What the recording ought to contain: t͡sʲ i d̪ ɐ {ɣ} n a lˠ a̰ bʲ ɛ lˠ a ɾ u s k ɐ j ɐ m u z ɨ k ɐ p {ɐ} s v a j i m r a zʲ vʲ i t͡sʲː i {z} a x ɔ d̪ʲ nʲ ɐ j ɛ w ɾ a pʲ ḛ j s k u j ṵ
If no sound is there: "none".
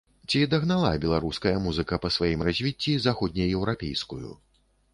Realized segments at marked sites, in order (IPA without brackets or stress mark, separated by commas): ɣ, ɐ, z